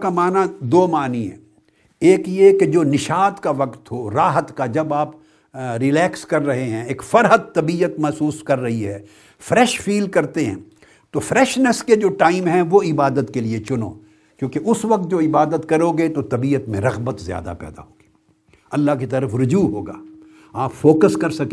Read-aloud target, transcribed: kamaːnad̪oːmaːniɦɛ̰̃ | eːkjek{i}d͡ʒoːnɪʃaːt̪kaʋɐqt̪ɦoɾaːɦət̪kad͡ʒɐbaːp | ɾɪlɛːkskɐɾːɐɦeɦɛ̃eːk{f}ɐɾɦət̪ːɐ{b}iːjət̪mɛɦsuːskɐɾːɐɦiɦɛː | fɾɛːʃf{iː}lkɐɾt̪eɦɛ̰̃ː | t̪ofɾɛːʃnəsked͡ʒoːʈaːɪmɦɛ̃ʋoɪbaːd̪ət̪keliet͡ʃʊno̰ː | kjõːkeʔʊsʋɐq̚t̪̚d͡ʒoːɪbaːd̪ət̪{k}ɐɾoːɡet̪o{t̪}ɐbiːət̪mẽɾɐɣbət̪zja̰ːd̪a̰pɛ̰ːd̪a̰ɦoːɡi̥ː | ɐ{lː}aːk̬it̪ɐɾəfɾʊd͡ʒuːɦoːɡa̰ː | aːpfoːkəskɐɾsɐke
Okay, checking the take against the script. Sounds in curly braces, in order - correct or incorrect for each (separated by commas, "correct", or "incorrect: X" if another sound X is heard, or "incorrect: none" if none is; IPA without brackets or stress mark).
incorrect: e, correct, correct, correct, correct, correct, correct